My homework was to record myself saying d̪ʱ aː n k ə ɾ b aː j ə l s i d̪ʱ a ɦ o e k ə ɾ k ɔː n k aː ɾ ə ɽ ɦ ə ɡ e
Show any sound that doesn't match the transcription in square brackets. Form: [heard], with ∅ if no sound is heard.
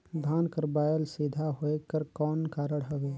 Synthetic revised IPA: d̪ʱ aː n k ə ɾ b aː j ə l s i d̪ʱ a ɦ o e k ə ɾ k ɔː n k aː ɾ ə ɽ ɦ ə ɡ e